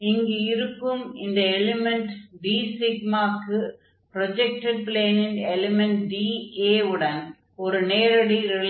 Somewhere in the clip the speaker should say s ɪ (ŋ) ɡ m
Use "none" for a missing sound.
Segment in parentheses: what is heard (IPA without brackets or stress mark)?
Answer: none